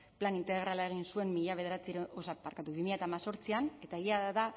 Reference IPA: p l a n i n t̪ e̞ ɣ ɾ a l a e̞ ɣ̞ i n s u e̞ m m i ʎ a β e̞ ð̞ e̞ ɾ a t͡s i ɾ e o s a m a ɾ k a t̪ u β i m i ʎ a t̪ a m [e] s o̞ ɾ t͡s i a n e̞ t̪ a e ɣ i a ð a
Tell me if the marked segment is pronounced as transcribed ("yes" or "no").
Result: no